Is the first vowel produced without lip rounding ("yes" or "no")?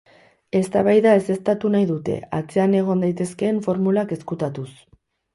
yes